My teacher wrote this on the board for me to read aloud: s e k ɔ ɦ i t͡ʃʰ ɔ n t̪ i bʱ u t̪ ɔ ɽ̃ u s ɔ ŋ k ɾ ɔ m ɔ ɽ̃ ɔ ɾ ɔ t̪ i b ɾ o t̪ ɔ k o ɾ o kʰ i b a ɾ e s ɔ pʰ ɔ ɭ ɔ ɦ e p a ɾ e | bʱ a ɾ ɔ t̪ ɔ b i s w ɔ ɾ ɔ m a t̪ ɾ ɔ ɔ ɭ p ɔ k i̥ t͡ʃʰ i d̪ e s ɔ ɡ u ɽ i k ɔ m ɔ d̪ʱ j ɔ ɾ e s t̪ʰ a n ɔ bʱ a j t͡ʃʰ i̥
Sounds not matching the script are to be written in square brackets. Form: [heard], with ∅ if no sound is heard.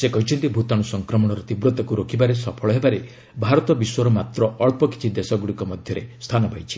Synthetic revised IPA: s e k ɔ ɦ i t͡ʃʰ ɔ n t̪ i bʱ u t̪ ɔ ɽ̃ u s ɔ ŋ k ɾ ɔ m ɔ ɽ̃ ɔ ɾ ɔ t̪ i b ɾ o t̪ ɔ k [u] ɾ o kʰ i b a ɾ e s ɔ pʰ ɔ ɭ ɔ ɦ e [b] a ɾ e | bʱ a ɾ ɔ t̪ ɔ b i s w ɔ ɾ ɔ m a t̪ ɾ ɔ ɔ ɭ p ɔ k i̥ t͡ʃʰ i d̪ e s ɔ ɡ u ɽ i k ɔ m ɔ d̪ʱ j ɔ ɾ e s t̪ʰ a n ɔ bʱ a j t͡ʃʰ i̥